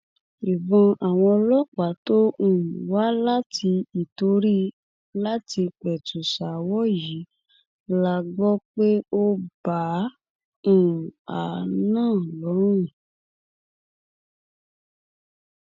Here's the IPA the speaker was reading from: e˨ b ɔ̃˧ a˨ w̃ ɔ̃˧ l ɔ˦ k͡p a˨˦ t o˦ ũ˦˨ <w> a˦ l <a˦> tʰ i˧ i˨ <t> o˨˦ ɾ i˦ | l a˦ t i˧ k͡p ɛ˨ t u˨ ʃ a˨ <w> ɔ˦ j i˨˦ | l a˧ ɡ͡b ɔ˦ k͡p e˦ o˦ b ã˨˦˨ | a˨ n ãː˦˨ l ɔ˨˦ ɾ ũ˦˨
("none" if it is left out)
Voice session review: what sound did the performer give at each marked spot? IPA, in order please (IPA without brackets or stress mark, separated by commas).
w, a˦, t, w